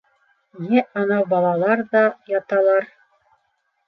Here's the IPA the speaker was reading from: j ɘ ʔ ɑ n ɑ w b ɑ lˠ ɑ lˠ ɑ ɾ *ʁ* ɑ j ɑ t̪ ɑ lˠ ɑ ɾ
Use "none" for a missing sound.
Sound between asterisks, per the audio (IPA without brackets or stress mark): ð